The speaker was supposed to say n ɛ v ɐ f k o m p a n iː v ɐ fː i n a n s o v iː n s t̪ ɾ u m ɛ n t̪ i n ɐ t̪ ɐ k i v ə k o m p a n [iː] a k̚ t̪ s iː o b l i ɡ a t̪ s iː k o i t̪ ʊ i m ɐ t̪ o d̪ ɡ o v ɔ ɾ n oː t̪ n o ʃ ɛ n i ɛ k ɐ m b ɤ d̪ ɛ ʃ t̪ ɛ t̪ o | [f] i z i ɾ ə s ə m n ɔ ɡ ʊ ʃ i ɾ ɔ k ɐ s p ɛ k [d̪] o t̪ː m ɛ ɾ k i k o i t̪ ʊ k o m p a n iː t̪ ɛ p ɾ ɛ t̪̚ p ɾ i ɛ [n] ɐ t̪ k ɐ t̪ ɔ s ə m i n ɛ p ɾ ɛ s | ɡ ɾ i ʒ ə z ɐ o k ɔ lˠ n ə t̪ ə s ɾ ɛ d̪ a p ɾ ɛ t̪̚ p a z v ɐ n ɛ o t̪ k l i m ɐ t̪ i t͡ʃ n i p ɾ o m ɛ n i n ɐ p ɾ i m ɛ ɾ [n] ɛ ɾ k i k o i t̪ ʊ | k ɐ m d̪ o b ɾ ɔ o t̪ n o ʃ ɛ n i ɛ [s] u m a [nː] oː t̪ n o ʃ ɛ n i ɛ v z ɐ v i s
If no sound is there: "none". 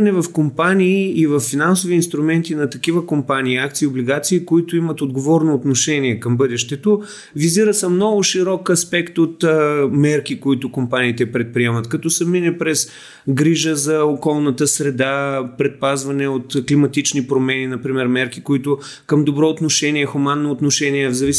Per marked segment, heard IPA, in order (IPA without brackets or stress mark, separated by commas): iː, v, t̪, m, m, x, nː